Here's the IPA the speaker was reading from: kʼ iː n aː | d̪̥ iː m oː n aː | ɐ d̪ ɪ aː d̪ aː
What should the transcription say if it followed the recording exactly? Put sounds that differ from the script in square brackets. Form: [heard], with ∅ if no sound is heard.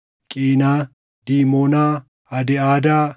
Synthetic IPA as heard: kʼ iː n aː | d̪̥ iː m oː n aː | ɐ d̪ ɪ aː d̪ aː